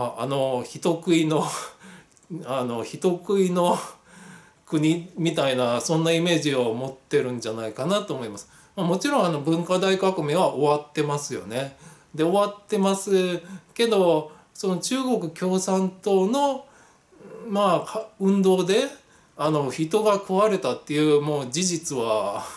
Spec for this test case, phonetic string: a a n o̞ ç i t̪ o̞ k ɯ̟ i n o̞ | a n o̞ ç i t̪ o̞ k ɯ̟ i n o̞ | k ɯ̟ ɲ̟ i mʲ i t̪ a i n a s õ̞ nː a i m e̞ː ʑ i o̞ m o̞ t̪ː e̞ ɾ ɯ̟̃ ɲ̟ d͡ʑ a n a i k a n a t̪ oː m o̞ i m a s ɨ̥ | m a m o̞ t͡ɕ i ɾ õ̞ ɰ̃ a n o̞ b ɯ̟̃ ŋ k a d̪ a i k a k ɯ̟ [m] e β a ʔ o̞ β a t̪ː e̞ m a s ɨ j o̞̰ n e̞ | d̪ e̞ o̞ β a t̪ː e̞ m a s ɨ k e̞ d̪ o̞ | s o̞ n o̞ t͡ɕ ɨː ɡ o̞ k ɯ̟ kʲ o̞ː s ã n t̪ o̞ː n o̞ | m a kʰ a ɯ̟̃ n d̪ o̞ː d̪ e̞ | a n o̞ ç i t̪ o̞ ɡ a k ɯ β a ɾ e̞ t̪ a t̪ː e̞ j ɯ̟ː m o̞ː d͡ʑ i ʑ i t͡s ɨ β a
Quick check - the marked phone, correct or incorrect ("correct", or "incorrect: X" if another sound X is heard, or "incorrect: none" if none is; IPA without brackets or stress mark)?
correct